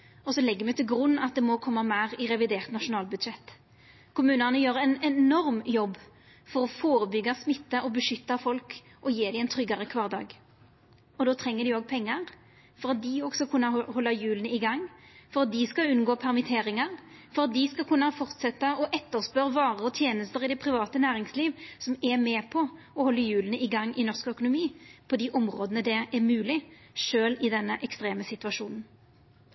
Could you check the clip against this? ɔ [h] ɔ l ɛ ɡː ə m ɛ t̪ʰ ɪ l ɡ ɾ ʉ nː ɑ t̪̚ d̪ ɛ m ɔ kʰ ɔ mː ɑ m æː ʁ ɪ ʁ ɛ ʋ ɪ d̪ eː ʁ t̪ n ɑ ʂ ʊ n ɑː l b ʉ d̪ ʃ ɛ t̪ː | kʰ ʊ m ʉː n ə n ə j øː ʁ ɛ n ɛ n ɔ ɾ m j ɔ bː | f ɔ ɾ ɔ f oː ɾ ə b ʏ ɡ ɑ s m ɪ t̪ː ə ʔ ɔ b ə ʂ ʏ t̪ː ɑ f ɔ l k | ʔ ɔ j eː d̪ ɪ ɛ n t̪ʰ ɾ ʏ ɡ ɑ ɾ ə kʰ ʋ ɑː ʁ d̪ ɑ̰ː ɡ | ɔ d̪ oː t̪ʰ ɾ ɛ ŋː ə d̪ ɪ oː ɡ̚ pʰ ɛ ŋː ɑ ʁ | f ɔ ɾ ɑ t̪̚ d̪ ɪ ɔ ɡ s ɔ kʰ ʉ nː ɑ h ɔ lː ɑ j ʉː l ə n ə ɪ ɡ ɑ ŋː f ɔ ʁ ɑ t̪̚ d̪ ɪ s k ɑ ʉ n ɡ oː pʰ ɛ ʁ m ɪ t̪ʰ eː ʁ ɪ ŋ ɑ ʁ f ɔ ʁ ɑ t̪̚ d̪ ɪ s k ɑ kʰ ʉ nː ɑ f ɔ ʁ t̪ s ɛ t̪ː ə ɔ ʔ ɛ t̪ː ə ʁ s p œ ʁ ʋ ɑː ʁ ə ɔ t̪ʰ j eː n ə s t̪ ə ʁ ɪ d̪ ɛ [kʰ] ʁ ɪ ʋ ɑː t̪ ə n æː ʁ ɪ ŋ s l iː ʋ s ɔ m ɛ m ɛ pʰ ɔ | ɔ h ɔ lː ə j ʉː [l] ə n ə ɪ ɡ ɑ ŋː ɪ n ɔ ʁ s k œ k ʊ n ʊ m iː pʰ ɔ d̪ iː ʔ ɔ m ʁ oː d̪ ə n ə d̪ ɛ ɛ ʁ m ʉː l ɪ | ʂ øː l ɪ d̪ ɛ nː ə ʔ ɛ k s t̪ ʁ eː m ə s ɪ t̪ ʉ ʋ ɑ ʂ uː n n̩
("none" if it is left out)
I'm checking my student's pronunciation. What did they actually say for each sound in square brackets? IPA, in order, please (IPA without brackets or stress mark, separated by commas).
s, pʰ, l